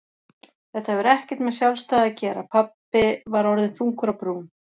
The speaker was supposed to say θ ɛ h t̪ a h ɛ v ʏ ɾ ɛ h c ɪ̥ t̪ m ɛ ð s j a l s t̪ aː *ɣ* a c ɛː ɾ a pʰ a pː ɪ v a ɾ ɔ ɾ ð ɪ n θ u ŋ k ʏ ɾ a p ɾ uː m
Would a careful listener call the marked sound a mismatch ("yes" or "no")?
yes